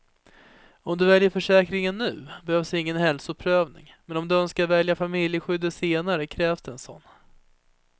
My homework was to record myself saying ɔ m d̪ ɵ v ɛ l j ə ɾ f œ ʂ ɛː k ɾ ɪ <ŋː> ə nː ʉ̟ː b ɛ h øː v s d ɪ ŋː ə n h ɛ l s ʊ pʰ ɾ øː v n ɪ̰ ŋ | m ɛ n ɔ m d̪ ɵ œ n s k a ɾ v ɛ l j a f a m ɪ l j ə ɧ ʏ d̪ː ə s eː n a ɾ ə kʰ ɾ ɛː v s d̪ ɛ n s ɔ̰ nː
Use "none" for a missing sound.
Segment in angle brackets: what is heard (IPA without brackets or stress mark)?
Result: ŋ